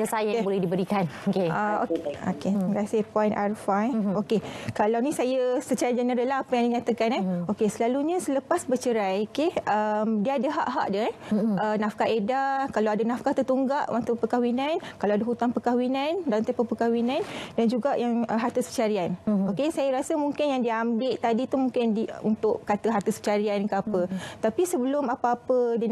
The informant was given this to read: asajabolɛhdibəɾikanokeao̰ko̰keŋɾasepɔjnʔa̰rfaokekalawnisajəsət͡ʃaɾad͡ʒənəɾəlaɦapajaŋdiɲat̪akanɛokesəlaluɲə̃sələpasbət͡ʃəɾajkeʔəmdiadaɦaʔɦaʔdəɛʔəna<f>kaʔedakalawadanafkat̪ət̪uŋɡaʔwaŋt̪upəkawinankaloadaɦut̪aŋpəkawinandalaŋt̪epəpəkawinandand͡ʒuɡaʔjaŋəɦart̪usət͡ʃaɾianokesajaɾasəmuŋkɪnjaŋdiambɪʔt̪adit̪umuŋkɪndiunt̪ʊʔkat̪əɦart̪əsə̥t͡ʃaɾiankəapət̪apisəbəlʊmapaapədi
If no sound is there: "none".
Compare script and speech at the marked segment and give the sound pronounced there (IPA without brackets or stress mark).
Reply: f